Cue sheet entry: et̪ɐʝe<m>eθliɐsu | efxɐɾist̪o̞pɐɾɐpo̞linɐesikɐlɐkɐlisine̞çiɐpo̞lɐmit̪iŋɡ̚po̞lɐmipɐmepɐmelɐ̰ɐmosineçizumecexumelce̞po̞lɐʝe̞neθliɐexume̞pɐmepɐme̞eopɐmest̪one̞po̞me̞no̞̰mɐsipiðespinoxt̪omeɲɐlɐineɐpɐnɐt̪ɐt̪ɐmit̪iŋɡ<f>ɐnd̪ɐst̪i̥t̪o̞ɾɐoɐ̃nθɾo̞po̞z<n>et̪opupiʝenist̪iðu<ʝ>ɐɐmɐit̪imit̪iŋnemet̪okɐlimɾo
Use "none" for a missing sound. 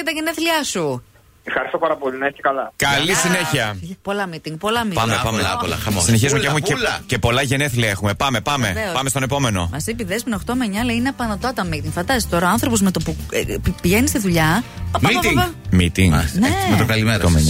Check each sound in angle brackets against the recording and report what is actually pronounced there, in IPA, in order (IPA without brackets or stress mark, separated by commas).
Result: n, f, m, ʎ